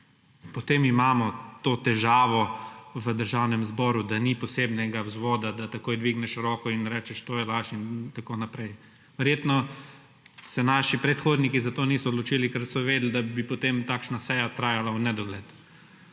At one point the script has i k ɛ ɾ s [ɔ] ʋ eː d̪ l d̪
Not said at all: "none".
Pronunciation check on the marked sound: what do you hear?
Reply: ɔ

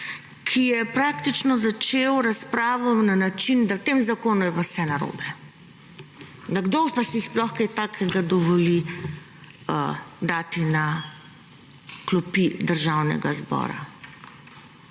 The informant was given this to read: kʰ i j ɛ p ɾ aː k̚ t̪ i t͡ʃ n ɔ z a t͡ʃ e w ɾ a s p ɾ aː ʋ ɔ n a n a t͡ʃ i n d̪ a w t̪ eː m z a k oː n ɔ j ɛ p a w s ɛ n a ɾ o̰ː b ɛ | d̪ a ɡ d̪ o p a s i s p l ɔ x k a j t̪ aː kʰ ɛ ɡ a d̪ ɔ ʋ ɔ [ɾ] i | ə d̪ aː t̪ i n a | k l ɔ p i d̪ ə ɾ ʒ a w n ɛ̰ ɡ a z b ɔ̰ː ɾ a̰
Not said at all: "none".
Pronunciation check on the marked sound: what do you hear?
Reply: l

